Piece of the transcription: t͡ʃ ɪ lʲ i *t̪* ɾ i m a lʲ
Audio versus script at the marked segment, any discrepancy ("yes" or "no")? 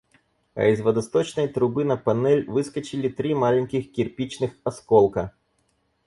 no